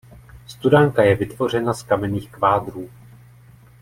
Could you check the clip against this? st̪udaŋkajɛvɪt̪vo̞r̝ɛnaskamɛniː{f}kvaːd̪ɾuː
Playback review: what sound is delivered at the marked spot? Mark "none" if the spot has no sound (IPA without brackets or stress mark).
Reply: x